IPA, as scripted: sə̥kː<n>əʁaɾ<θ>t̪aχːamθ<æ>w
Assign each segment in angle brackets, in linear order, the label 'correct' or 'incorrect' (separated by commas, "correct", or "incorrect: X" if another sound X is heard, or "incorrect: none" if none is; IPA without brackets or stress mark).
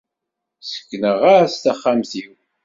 correct, incorrect: s, incorrect: i